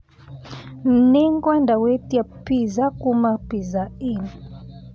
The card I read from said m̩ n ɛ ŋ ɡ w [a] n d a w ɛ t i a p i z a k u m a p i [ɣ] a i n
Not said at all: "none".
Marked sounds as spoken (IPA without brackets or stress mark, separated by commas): a, z